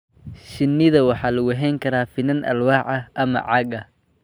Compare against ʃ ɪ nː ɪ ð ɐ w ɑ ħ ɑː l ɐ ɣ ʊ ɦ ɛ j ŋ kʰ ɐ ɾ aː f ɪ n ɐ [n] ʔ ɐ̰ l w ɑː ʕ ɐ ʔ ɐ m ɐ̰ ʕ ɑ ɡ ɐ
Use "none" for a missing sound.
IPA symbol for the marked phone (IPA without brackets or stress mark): n